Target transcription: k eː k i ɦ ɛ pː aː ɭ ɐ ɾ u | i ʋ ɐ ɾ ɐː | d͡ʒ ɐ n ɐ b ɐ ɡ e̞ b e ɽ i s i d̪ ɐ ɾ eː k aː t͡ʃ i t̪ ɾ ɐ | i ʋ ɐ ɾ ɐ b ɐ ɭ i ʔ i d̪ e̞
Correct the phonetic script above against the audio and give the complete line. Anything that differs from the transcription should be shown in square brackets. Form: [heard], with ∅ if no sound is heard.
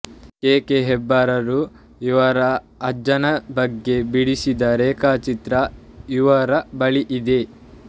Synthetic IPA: k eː k [e] ɦ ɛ [bː] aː [ɾ] ɐ ɾ u | i ʋ ɐ ɾ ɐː | d͡ʒ ɐ n ɐ b ɐ [ɡː] e̞ b [i] ɽ i s i d̪ ɐ ɾ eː k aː t͡ʃ i t̪ ɾ ɐ | i ʋ ɐ ɾ ɐ b ɐ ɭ i ʔ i d̪ e̞